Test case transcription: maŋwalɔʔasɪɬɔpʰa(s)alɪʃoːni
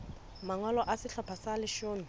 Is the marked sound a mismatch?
no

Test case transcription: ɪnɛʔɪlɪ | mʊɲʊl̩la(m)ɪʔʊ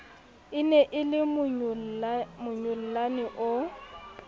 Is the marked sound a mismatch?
yes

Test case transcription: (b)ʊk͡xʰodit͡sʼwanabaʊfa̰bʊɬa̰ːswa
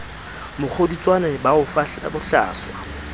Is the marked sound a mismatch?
yes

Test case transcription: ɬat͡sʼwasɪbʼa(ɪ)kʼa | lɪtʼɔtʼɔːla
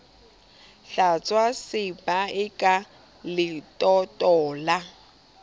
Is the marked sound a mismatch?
no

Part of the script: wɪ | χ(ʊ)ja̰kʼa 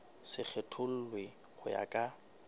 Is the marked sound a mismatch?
no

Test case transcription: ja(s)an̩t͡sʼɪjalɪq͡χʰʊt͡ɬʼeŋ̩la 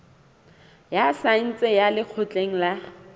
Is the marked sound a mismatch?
no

